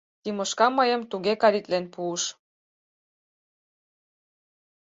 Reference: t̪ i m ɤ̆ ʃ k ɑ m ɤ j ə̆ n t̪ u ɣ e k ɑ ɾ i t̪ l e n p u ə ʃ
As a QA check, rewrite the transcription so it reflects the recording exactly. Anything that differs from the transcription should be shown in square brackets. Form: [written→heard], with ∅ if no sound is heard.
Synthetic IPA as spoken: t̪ i m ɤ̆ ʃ k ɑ m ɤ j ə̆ [n→m] t̪ u ɣ e k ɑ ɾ i t̪ l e n p u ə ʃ